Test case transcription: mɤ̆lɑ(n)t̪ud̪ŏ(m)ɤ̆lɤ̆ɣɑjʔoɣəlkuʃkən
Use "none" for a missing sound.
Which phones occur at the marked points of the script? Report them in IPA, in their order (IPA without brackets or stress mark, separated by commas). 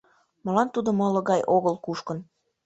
n, m